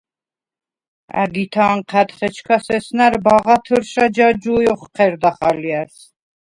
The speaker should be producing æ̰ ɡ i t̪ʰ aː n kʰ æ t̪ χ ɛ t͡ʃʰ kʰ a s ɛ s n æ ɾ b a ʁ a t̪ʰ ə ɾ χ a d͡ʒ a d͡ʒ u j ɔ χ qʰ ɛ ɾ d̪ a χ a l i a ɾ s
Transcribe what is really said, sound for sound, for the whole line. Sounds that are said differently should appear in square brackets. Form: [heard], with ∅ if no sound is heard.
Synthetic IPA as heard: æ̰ ɡ i t̪ʰ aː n [qʰ] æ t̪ χ ɛ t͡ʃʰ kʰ a s ɛ s n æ ɾ b a ʁ a t̪ʰ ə ɾ [ʃ] a d͡ʒ a d͡ʒ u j ɔ χ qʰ ɛ ɾ d̪ a χ a l i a ɾ s